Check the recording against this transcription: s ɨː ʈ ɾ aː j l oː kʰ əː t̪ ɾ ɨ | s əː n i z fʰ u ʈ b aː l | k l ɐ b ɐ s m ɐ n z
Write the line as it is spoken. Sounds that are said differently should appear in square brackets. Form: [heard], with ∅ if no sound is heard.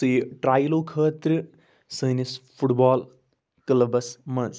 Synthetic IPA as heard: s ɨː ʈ ɾ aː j l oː kʰ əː t̪ ɾ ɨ | s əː n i [s] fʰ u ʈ b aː l | k l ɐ b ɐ s m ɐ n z